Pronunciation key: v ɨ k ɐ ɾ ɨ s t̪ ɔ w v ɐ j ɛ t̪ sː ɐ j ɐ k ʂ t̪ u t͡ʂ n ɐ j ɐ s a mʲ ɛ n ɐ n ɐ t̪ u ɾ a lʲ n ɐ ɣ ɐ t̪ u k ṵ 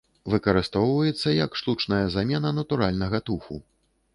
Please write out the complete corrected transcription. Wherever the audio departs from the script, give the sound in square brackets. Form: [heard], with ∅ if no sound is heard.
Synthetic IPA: v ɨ k ɐ ɾ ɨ s t̪ ɔ w v ɐ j ɛ t̪ sː ɐ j ɐ k ʂ t̪ u t͡ʂ n ɐ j ɐ [z] a mʲ ɛ n ɐ n ɐ t̪ u ɾ a lʲ n ɐ ɣ ɐ t̪ u [x] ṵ